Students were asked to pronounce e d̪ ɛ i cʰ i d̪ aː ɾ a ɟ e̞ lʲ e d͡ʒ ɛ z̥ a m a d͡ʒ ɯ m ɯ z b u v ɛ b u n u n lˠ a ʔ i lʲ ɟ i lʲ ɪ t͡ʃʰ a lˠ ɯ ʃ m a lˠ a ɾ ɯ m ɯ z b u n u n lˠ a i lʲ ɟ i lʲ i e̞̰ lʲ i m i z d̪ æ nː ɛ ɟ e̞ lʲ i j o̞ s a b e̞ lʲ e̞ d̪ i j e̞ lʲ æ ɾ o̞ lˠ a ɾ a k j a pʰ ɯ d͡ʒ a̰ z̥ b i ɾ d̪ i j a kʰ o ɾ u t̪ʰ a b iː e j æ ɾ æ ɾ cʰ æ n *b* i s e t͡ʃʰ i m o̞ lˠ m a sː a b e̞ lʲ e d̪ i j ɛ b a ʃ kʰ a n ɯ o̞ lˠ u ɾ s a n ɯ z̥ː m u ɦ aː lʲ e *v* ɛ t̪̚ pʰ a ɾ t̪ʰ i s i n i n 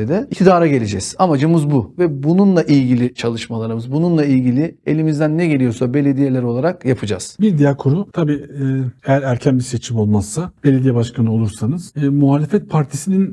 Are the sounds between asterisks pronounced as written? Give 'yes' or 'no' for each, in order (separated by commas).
yes, no